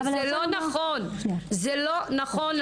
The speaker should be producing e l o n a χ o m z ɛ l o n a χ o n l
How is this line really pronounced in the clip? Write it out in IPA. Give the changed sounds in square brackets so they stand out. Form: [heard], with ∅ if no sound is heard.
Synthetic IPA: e l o n a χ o [n] z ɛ l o n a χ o n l